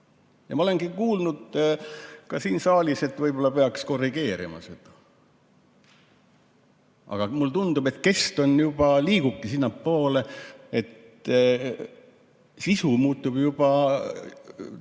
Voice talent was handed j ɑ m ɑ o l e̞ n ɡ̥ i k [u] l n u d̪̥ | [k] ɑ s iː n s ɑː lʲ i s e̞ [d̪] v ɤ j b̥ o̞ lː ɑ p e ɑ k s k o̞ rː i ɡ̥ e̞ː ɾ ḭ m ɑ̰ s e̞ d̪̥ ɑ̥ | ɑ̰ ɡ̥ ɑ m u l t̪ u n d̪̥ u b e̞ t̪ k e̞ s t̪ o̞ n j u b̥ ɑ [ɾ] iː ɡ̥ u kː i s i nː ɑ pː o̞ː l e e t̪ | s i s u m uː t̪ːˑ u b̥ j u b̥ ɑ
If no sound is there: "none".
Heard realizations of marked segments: uː, k, t̪, l

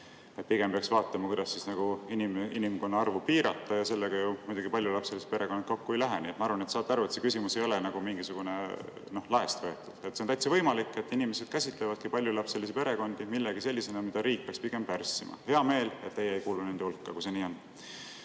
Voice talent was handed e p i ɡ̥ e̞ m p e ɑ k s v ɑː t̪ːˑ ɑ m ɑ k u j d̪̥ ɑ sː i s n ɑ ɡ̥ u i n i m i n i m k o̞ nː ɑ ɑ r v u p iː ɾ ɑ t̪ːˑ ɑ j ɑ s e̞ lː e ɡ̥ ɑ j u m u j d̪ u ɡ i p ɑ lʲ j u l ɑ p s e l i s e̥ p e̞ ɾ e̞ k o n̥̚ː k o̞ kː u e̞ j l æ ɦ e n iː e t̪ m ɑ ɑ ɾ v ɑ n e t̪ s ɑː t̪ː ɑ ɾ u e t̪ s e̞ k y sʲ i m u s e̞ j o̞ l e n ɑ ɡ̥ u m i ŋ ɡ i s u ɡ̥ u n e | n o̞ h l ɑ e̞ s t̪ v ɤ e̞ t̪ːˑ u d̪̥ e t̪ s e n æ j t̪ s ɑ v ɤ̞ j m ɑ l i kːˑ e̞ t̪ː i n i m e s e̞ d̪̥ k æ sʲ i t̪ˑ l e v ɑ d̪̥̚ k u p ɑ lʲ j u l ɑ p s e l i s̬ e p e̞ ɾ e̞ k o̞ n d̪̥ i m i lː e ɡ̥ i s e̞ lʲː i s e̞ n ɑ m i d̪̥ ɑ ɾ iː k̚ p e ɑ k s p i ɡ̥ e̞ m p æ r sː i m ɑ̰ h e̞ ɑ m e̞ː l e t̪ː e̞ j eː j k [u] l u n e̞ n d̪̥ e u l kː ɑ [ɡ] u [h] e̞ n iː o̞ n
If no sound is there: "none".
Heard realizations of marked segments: uː, k, s

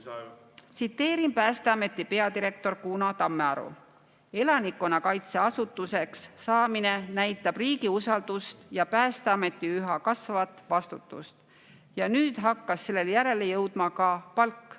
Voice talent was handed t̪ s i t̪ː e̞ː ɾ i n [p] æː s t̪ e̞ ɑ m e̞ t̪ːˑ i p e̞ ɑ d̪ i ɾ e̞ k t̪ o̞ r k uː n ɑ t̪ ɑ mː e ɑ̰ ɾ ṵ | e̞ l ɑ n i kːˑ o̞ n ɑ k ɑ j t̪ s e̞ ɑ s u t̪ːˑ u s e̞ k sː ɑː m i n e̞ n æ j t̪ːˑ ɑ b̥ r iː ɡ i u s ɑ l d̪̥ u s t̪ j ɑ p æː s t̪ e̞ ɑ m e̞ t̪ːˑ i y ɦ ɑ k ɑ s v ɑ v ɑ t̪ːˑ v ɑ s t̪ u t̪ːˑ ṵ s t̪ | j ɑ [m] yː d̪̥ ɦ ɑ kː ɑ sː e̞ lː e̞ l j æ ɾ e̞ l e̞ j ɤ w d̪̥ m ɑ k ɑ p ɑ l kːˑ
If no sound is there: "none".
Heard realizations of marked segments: p, n

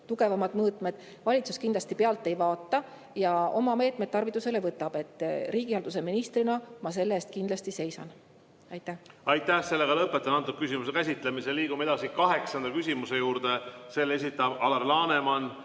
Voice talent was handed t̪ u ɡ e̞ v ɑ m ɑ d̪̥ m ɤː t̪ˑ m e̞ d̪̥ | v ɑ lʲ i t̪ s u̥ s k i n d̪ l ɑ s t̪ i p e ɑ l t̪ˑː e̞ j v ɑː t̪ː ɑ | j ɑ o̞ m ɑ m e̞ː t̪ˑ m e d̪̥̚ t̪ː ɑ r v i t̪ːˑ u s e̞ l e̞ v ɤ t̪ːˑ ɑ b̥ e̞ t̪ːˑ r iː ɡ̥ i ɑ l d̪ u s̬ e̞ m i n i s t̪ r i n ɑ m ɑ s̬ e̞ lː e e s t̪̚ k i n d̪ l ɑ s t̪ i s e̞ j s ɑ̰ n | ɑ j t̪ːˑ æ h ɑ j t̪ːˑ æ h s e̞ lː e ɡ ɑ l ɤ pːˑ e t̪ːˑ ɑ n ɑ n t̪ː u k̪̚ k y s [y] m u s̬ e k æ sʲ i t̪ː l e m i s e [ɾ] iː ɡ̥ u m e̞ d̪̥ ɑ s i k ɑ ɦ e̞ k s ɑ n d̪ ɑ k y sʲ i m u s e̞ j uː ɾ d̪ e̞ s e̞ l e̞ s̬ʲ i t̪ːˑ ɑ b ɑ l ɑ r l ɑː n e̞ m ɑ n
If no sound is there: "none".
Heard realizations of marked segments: i, l

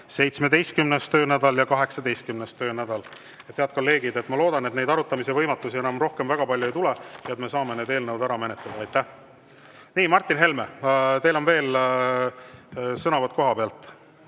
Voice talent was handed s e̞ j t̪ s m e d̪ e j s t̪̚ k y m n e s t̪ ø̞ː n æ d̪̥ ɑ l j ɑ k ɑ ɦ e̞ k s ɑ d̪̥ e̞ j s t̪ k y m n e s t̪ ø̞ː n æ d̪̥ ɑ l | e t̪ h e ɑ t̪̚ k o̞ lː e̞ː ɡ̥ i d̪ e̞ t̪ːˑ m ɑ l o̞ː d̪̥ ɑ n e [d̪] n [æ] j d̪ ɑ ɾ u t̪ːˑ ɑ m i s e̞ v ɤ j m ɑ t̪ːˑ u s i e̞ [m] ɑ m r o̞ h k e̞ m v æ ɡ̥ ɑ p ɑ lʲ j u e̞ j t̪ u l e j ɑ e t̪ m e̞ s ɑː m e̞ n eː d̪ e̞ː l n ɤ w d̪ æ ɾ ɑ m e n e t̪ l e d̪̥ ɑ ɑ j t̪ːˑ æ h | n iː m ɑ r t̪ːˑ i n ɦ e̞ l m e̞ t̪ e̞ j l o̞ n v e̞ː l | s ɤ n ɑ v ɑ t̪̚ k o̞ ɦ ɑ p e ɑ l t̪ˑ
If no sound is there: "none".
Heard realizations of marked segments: t̪, e, n

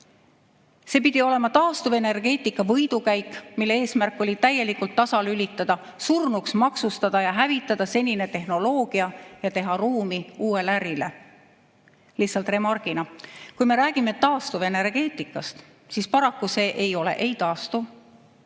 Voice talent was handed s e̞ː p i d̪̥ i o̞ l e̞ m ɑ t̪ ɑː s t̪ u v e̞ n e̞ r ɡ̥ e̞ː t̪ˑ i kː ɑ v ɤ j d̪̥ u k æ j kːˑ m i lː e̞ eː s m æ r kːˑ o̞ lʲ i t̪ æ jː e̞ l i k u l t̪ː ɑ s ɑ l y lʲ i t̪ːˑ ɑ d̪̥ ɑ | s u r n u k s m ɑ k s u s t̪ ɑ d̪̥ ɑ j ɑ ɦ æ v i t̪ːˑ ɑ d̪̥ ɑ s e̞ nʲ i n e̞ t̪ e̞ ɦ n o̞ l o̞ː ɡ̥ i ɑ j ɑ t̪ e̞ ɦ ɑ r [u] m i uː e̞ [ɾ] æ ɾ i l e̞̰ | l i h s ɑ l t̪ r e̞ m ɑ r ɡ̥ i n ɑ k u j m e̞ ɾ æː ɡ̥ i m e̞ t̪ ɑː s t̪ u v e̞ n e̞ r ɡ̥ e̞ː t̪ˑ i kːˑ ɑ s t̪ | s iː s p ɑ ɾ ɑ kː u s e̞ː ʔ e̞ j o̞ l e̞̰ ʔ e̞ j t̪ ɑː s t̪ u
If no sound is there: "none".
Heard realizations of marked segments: uː, l

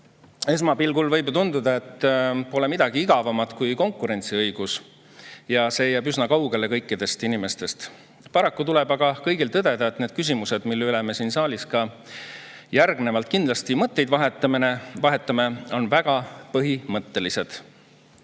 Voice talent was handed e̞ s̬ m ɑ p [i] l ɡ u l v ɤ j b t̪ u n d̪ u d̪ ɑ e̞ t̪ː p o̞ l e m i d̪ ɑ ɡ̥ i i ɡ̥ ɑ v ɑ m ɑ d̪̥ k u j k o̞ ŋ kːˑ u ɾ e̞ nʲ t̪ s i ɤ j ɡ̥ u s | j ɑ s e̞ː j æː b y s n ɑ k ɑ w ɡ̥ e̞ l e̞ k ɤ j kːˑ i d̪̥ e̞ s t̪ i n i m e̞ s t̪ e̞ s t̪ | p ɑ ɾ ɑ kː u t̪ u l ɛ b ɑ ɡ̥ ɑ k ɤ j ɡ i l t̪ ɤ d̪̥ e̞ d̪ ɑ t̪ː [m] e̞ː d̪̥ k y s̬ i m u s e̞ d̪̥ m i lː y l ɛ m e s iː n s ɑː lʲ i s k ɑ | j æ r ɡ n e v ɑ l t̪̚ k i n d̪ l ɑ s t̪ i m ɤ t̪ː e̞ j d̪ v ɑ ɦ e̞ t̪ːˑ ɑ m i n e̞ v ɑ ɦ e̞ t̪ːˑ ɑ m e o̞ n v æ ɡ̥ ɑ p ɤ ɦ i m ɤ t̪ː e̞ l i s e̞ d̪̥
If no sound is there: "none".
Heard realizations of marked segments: i, n

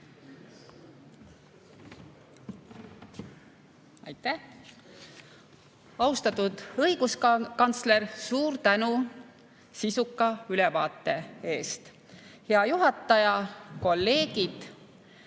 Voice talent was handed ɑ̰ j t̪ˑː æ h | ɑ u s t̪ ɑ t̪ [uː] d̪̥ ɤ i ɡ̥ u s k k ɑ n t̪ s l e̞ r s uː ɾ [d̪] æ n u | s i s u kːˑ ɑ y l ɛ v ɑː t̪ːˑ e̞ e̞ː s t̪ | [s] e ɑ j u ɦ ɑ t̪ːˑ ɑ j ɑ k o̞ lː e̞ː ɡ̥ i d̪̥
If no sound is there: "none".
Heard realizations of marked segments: u, t̪, h

